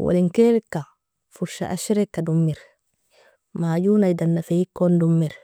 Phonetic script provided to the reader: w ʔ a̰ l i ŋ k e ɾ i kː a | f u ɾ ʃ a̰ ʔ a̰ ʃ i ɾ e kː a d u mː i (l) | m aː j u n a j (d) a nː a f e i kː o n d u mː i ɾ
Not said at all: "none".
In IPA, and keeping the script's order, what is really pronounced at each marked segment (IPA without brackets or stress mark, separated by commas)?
ɾ, d